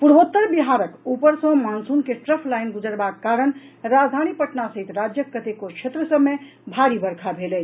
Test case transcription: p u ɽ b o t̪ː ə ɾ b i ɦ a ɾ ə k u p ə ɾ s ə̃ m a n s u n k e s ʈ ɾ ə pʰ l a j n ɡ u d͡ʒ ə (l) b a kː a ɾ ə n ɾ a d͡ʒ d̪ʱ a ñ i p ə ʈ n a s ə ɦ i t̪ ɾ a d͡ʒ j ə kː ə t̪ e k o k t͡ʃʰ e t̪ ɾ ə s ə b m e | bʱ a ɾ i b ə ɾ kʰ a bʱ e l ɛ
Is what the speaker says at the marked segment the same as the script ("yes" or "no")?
no